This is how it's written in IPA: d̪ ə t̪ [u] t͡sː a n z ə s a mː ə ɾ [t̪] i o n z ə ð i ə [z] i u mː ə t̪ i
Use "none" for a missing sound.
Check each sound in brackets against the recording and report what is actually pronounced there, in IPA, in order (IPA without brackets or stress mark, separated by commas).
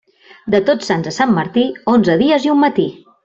o, t̪, z